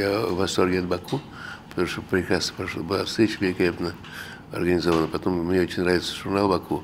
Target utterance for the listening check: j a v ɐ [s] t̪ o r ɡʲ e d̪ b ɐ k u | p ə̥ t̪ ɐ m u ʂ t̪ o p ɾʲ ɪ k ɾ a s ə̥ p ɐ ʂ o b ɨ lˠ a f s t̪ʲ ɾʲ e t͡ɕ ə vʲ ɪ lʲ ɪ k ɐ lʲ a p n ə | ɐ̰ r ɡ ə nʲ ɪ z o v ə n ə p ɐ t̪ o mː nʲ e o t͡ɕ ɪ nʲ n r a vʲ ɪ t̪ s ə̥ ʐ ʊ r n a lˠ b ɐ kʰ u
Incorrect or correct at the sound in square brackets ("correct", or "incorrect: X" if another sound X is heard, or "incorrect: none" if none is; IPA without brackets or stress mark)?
correct